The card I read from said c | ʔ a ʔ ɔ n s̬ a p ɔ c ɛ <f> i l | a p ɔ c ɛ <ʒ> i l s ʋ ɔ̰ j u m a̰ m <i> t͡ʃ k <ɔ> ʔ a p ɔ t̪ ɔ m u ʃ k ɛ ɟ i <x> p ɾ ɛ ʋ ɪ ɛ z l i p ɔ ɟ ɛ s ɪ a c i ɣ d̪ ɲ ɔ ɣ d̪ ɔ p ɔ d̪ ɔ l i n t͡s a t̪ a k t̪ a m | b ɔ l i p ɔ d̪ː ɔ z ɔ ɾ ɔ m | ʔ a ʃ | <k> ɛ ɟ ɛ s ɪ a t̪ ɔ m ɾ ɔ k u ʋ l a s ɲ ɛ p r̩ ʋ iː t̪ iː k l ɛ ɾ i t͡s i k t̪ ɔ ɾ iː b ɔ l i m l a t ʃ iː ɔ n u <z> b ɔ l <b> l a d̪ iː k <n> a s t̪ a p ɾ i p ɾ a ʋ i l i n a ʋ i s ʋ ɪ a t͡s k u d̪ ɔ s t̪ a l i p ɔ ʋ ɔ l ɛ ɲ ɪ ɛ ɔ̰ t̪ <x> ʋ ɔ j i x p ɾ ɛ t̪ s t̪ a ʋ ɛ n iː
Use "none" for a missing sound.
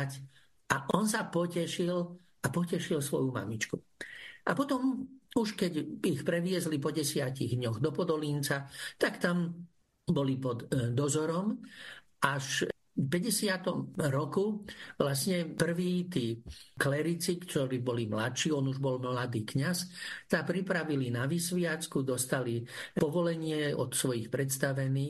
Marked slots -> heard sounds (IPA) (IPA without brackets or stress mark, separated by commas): ʃ, ʃ, i, u, x, p, ʒ, m, ɲ, s